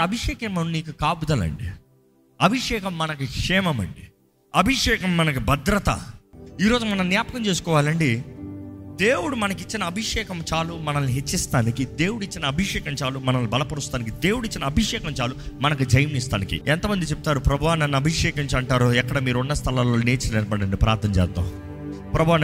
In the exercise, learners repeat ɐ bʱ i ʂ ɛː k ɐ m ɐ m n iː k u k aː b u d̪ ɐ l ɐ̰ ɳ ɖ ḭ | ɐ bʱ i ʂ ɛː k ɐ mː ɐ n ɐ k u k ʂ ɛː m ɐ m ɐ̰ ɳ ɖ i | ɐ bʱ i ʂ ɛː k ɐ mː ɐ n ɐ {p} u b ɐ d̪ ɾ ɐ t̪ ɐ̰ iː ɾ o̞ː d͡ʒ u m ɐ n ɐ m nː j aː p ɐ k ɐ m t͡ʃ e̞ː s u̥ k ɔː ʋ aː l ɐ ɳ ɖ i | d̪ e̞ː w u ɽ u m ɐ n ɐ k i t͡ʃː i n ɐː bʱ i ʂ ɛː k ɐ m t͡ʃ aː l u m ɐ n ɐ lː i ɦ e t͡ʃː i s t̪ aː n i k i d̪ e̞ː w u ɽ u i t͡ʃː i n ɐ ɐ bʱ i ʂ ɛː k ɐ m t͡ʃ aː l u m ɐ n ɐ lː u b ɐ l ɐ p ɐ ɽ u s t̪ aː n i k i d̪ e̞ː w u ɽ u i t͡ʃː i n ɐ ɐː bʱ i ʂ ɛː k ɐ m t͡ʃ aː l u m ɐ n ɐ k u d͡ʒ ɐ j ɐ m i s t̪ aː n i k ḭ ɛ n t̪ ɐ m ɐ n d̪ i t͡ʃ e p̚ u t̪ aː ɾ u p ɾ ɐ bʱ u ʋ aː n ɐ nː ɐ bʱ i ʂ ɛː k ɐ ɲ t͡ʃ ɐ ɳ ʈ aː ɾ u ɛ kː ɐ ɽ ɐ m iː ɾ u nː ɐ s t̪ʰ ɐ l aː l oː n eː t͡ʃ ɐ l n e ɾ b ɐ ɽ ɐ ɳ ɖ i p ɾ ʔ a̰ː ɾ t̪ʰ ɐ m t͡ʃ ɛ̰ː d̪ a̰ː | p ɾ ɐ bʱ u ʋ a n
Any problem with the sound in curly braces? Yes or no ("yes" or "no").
yes